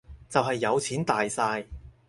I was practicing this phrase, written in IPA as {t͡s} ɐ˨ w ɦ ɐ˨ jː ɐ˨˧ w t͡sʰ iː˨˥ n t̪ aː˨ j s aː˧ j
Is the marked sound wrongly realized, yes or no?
no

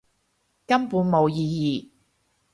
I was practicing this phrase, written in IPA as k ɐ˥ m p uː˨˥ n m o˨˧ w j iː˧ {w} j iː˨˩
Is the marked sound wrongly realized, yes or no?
yes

